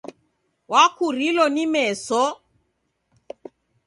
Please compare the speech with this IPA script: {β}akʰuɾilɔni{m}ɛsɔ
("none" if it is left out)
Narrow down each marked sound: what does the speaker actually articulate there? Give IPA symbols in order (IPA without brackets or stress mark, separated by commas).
w, m